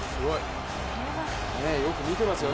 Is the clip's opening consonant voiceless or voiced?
voiceless